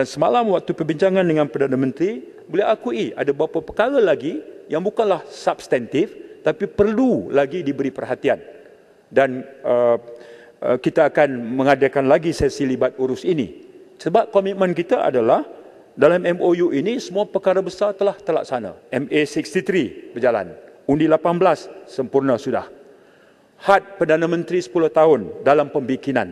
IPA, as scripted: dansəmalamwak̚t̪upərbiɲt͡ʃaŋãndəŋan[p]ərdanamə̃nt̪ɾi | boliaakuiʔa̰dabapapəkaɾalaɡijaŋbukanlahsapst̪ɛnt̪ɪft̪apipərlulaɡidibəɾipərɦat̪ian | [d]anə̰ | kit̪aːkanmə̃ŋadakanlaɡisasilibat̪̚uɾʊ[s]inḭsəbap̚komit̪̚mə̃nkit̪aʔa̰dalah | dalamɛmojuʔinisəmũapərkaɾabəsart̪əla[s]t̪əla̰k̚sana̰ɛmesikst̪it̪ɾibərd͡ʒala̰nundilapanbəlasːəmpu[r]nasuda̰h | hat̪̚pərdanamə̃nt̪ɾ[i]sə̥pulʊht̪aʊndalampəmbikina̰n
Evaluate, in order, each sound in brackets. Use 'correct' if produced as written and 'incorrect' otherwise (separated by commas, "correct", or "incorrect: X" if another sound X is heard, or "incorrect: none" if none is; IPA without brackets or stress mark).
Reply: correct, correct, correct, incorrect: h, correct, correct